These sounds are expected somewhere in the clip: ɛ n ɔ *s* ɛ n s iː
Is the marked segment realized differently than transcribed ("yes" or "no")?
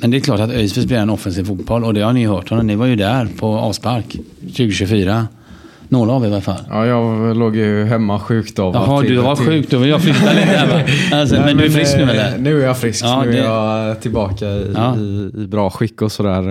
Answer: yes